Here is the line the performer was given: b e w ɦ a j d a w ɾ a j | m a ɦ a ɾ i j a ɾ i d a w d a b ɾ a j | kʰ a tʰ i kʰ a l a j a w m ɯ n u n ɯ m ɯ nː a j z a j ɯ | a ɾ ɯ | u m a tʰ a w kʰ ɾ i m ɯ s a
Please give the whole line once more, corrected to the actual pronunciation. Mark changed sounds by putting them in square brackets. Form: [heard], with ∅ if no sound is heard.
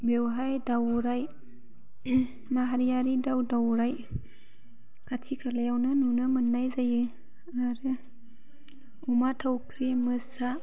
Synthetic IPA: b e w ɦ a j d a w ɾ a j | m a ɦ a ɾ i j a ɾ i d a w d a [w] ɾ a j | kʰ a tʰ i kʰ a l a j a w [n] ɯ n u n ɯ m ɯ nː a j z a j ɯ | a ɾ ɯ | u m a tʰ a w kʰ ɾ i m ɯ s a